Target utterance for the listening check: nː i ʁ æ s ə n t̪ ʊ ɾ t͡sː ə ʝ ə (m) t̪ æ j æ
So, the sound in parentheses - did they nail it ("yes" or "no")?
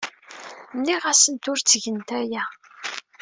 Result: no